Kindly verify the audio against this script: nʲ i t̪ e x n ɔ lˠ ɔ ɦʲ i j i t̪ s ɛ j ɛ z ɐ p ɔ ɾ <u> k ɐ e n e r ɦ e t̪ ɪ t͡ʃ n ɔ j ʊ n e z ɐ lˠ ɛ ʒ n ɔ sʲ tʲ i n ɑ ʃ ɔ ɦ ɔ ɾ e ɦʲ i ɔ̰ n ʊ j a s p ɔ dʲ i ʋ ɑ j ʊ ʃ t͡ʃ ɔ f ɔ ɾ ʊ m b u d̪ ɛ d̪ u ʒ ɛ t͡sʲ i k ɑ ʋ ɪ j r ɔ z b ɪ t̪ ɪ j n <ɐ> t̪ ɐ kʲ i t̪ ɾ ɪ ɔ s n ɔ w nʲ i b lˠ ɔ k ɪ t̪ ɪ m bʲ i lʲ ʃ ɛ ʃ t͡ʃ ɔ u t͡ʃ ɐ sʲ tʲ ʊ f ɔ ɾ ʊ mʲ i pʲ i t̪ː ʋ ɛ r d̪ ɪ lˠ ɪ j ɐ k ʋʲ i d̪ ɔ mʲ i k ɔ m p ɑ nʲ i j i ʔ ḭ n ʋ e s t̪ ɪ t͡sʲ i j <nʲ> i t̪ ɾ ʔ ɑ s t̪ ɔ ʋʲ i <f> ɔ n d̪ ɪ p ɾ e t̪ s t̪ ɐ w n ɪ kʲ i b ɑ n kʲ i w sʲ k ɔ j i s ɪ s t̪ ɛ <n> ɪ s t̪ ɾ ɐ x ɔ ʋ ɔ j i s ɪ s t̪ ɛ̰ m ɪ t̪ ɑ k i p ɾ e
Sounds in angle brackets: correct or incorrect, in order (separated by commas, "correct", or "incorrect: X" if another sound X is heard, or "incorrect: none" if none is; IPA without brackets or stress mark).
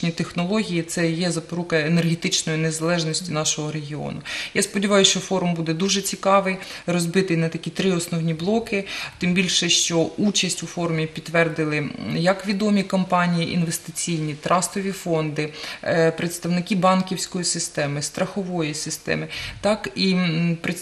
correct, correct, correct, correct, incorrect: m